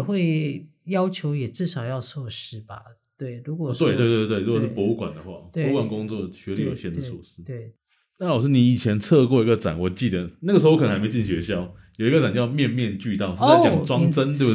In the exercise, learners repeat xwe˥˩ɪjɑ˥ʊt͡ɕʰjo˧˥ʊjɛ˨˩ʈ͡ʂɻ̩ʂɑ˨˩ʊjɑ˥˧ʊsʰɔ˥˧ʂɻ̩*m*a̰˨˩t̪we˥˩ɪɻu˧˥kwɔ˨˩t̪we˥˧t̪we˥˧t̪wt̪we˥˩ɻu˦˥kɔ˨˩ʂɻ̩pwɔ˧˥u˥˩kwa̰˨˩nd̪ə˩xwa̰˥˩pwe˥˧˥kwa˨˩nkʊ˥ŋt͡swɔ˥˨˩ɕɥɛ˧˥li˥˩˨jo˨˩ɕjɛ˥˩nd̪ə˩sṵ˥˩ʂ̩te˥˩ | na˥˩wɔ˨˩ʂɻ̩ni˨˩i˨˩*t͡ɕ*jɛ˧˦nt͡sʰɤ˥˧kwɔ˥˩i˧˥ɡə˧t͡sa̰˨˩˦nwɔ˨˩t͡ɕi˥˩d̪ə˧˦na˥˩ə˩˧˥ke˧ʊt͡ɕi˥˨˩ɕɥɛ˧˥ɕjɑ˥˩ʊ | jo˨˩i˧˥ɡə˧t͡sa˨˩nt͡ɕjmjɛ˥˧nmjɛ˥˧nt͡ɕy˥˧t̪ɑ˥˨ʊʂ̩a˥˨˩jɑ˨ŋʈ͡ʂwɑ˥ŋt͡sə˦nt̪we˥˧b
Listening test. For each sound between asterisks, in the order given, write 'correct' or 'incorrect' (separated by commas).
incorrect, incorrect